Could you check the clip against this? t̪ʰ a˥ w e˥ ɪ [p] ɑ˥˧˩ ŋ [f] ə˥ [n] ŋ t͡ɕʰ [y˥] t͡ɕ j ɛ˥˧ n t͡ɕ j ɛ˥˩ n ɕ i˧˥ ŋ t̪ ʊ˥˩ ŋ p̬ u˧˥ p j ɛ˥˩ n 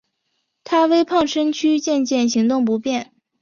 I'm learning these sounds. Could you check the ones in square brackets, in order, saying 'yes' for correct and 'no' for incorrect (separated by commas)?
no, no, no, yes